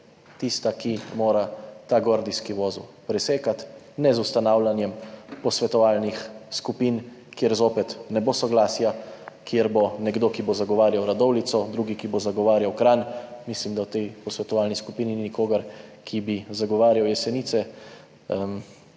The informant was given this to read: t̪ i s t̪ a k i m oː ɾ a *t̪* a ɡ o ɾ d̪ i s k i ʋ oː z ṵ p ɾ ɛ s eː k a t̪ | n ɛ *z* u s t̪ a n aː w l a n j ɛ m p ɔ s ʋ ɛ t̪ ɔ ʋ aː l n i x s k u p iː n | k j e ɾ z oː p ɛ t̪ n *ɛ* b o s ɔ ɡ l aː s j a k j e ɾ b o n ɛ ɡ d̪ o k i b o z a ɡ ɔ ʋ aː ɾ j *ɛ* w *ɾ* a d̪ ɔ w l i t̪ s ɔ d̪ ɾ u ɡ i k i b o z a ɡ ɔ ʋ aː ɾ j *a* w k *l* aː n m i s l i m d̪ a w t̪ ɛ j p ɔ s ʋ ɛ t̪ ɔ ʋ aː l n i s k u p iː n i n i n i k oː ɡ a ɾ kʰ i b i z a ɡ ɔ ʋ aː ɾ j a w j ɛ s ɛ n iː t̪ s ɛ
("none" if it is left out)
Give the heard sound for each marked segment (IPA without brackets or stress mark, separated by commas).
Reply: t̪, z, ɛ, a, ɾ, a, ɾ